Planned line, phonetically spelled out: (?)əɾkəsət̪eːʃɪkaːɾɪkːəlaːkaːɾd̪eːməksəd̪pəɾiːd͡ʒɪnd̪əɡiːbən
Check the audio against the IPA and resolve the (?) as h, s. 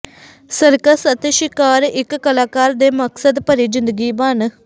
s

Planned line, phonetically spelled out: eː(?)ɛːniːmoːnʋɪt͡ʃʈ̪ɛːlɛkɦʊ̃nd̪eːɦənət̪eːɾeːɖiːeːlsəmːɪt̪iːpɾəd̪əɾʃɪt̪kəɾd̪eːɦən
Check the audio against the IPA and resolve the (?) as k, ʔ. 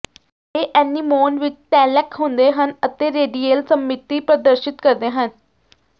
ʔ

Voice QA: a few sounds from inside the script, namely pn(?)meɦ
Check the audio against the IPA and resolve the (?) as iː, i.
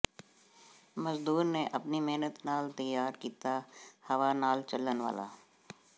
i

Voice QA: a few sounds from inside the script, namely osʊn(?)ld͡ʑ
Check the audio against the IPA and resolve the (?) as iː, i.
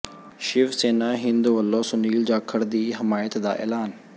iː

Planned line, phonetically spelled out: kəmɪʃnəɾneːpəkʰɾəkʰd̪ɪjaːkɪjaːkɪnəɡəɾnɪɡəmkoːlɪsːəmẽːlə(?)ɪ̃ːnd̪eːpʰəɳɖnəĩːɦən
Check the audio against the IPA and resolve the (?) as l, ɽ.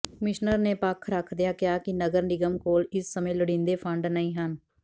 ɽ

